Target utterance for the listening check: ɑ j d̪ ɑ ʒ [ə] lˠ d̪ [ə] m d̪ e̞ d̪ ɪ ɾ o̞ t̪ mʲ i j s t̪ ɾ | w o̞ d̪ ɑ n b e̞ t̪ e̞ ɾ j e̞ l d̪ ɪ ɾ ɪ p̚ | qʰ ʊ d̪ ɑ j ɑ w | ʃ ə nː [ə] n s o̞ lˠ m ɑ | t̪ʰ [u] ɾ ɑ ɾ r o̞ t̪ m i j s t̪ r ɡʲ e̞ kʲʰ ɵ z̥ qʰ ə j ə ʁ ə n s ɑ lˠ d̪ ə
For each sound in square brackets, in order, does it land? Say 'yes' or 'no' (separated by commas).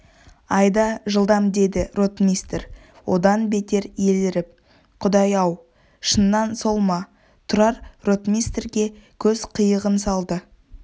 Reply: yes, no, no, no